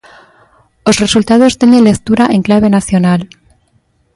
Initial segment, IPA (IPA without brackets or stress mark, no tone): o̞